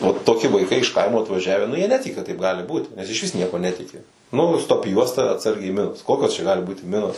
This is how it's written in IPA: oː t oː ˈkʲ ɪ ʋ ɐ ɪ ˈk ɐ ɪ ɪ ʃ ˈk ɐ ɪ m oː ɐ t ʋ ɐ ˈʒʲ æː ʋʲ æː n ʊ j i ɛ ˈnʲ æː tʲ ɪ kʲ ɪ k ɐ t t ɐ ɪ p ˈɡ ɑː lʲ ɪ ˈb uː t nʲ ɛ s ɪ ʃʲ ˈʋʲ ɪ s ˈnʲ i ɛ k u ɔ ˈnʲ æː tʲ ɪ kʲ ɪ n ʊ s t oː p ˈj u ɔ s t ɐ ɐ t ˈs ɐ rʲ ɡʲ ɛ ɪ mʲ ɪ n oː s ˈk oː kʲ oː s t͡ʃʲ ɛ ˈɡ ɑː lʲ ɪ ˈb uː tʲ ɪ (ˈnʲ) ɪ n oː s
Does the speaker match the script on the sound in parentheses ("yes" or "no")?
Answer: no